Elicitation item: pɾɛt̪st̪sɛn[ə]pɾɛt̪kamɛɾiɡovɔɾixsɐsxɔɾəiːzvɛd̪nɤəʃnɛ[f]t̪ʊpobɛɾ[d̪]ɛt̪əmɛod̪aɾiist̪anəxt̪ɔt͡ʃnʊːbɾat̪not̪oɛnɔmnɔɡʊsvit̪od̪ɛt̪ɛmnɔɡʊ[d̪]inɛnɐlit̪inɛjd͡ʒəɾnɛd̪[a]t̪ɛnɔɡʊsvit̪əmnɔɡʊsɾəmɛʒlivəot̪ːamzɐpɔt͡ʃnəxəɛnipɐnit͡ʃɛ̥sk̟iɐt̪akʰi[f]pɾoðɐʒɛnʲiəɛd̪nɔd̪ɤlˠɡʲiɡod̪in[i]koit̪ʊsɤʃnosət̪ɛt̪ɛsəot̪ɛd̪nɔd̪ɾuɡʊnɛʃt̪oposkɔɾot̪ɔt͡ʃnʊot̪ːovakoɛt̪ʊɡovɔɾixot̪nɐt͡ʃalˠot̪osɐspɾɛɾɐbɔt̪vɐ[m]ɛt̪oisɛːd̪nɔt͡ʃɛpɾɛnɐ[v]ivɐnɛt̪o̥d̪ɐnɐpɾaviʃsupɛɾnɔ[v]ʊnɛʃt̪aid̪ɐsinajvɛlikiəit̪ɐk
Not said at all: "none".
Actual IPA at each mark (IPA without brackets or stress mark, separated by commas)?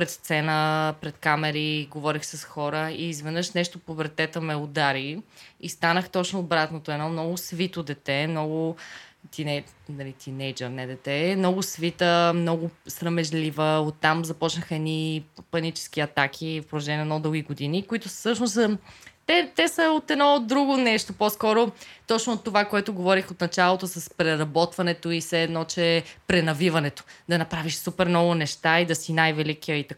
ə, ʃ, t̪, t̪, ɛ, f, i, n, v, v